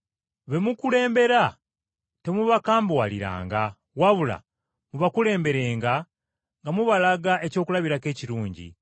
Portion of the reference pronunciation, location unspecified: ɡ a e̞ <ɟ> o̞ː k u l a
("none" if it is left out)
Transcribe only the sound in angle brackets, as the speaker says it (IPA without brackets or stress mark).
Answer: c